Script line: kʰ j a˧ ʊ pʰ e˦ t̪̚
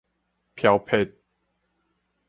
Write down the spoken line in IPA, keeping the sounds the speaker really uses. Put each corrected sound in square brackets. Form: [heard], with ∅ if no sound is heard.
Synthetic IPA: [pʰ] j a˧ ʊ pʰ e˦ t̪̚

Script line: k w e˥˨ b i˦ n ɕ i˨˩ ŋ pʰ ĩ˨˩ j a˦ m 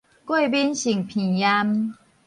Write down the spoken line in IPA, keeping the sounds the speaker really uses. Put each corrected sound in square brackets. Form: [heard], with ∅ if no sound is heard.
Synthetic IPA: k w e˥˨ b i˦ n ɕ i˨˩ ŋ pʰ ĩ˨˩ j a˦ m

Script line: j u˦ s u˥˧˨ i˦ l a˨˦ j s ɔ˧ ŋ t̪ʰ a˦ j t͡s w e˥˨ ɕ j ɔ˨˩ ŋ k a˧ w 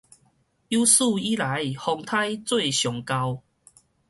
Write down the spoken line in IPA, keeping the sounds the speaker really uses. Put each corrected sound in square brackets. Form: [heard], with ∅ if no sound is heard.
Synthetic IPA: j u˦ s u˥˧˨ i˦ l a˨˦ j [h] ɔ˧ ŋ t̪ʰ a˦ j t͡s w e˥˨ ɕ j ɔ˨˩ ŋ k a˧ w

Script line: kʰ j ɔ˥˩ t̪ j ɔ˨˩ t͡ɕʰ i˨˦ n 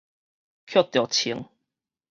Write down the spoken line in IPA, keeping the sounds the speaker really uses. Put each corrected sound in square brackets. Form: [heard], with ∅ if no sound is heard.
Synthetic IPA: kʰ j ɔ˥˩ t̪ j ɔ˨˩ t͡ɕʰ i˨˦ [ŋ]

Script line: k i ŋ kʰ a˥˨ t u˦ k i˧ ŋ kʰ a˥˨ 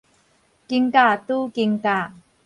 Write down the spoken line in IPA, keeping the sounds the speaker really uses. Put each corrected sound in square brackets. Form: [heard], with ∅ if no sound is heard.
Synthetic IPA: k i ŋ [k] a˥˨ t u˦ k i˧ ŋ [k] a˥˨

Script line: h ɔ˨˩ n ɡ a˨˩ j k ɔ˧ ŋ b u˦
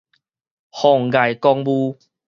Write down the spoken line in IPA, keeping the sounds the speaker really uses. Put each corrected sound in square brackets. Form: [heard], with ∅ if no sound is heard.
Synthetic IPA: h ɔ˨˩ [ŋ] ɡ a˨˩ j k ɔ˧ ŋ b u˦

